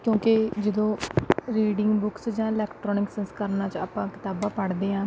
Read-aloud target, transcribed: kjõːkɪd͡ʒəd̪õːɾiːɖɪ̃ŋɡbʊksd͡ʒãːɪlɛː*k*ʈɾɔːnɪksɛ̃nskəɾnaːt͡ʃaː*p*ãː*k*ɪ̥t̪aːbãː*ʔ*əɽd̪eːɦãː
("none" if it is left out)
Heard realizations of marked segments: k, p, k, p

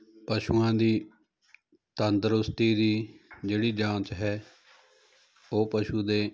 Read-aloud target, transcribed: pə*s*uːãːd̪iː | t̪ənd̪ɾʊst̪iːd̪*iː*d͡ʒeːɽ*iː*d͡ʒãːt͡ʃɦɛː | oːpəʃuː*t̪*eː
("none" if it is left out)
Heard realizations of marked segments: ʃ, iː, iː, d̪

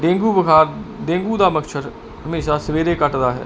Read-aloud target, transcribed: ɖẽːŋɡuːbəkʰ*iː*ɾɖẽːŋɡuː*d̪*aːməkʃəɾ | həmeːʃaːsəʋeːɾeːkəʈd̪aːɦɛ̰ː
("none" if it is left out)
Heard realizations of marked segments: aː, d̪

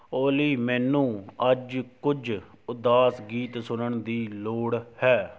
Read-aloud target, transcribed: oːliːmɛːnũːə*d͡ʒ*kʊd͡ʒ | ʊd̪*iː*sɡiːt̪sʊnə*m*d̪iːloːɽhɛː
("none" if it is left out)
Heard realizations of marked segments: d͡ʒ, aː, ɳ

